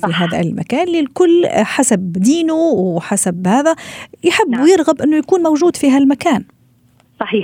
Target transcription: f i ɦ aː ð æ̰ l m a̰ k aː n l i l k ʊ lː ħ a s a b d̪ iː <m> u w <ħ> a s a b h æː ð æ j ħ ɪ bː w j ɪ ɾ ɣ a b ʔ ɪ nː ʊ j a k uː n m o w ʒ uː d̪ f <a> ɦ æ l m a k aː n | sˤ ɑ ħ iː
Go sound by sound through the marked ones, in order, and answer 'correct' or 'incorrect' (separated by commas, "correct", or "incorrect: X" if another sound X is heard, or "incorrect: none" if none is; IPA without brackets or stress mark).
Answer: incorrect: n, correct, incorrect: i